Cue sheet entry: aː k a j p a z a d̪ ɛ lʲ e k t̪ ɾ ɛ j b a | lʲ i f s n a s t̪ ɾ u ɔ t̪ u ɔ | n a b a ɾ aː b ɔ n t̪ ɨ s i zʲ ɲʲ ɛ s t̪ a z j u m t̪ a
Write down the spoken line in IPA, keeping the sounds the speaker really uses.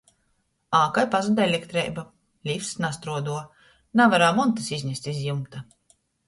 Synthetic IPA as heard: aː k a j p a z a d̪ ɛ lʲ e k t̪ ɾ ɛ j b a | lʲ i f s n a s t̪ ɾ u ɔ d̪ u ɔ | n a v a ɾ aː m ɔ n t̪ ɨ s i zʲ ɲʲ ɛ s t̪ i z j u m t̪ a